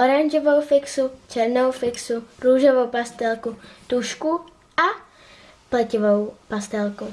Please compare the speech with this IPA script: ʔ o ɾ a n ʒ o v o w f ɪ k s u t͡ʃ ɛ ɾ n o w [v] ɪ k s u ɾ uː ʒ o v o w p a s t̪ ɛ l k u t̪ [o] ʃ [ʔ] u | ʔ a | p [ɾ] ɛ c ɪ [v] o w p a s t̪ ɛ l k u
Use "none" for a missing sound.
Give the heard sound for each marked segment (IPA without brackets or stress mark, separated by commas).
f, u, k, l, v